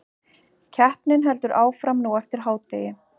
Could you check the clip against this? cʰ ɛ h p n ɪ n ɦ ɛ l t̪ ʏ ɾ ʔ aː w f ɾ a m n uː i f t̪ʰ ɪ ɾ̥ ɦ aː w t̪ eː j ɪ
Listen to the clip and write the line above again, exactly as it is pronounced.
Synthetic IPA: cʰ ɛ h p n ɪ n ɦ ɛ l t̪ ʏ ɾ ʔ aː w f ɾ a m n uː ɛ f t̪ ɪ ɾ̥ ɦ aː w t̪ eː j ɪ